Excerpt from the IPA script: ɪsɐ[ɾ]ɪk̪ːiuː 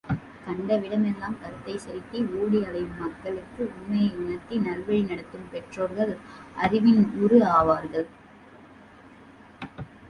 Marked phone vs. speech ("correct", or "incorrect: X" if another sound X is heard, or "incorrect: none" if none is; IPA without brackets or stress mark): correct